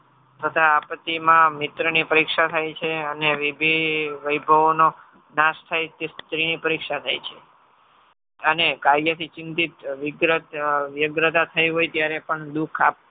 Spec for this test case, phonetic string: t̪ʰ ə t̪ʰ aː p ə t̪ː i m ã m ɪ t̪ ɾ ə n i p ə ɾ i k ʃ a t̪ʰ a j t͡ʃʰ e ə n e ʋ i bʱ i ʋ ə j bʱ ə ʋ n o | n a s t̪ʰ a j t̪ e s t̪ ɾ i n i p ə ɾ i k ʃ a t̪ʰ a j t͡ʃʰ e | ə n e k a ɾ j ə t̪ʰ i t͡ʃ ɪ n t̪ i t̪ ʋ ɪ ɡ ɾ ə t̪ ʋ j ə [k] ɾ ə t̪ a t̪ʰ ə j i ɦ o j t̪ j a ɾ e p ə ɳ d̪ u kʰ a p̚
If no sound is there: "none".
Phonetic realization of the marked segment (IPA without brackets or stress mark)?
ɡ